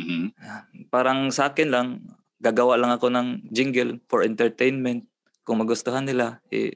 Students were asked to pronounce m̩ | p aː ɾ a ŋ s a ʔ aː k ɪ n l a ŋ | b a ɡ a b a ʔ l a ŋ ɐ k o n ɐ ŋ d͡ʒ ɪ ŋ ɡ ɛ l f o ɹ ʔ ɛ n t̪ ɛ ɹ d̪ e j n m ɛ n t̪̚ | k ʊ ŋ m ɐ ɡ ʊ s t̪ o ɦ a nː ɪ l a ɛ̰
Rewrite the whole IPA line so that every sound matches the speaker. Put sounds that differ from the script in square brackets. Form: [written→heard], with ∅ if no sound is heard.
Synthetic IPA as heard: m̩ | p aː ɾ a ŋ s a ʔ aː k ɪ n l a ŋ | [b→ɡ] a ɡ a [b→w] a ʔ l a ŋ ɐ k o n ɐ ŋ d͡ʒ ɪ ŋ ɡ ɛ l f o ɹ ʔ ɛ n t̪ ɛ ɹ [d̪→t̪] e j n m ɛ n t̪̚ | k ʊ ŋ m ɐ ɡ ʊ s t̪ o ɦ a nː ɪ l a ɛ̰